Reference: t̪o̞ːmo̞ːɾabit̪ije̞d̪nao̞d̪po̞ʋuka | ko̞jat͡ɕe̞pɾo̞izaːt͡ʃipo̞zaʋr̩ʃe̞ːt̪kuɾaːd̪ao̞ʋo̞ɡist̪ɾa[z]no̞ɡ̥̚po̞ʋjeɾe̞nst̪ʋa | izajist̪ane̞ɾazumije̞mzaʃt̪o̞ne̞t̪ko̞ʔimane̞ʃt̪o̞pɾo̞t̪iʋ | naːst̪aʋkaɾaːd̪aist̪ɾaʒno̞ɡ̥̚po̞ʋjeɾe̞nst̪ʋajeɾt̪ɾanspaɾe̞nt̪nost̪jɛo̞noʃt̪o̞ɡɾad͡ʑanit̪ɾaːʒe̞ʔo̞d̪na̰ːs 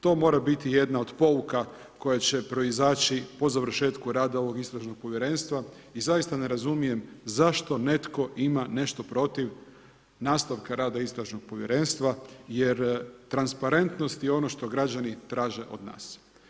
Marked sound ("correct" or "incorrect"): incorrect